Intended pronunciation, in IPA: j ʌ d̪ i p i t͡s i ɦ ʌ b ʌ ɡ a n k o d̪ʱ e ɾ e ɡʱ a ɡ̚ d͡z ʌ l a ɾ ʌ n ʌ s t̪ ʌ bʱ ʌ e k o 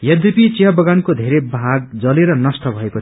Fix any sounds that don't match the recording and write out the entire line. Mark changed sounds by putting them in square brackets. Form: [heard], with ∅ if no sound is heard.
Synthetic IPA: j ʌ d̪ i p i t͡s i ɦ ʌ b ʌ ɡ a n k o d̪ʱ e ɾ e [bʱ] a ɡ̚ d͡z ʌ l [e] ɾ ʌ n ʌ s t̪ ʌ bʱ ʌ e k o